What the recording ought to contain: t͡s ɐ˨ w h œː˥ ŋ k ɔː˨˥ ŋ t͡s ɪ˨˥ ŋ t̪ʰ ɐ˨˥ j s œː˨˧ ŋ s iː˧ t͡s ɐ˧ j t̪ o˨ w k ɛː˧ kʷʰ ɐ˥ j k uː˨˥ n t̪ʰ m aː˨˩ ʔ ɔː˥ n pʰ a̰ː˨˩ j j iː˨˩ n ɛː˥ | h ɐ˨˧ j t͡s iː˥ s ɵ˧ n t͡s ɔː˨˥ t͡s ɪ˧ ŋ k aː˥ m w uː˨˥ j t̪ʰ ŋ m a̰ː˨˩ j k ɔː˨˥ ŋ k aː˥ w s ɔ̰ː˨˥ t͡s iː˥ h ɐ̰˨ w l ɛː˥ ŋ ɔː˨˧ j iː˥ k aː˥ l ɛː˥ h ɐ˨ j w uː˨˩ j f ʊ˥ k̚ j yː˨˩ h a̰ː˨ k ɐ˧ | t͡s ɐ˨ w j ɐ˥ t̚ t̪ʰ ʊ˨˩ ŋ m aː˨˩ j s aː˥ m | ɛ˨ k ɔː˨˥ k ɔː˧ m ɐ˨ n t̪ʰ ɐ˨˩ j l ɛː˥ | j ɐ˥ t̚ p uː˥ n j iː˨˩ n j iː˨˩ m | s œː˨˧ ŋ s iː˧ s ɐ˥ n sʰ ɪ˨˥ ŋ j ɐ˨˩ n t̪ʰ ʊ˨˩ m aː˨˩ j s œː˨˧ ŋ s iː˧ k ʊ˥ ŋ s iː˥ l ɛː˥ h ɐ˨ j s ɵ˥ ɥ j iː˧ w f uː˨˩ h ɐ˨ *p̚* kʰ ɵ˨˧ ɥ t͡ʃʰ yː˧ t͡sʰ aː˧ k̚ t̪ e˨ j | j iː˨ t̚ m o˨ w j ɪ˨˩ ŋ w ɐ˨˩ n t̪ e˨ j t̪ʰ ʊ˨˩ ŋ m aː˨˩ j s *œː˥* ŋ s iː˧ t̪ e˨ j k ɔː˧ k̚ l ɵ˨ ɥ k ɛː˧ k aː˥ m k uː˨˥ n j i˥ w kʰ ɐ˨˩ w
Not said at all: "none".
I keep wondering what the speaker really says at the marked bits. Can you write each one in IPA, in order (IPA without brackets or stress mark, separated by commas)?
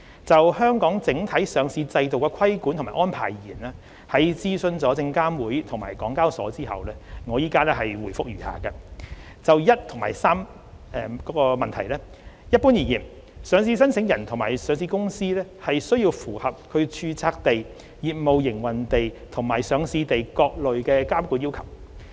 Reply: p̚, œː˨˧